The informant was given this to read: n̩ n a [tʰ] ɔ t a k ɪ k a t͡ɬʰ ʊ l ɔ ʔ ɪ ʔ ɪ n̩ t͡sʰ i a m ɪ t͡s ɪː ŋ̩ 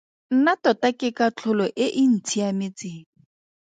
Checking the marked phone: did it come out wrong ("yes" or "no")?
yes